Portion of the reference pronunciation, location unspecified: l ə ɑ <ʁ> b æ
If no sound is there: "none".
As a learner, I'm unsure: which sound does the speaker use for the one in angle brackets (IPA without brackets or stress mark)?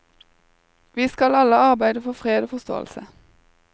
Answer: ʁ